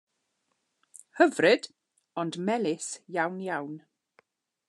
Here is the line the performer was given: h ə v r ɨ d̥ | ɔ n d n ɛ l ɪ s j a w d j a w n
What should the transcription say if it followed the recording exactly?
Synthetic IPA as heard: h ə v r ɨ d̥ | ɔ n d m ɛ l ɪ s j a w n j a w n